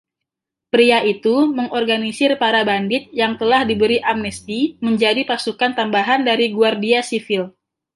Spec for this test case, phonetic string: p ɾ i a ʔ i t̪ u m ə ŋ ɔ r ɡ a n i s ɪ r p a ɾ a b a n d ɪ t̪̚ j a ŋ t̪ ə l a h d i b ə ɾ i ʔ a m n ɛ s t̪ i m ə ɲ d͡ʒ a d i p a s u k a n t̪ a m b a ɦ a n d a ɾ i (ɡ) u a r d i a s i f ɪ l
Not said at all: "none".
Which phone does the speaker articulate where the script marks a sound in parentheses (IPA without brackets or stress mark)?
ɡ